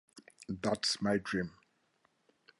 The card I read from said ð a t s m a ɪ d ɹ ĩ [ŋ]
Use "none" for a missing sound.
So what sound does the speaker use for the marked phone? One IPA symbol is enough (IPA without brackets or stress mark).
m